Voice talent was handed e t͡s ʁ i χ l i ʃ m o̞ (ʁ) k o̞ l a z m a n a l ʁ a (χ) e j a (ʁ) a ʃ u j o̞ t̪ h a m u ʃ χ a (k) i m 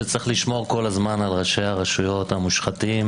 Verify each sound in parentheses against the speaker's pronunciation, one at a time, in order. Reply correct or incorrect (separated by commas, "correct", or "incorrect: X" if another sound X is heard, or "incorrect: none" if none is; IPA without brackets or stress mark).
correct, incorrect: ʃ, correct, incorrect: t